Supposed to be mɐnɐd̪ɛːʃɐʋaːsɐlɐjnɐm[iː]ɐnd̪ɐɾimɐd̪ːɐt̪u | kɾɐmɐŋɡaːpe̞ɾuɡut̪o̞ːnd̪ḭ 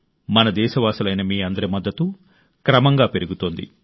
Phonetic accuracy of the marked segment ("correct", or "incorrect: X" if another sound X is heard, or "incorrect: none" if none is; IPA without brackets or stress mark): correct